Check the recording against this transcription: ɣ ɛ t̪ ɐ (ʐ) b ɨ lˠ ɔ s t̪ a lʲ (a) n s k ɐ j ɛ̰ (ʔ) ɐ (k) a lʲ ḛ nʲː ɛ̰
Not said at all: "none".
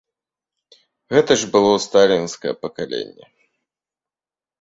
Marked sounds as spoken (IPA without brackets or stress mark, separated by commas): ʐ, i, p, k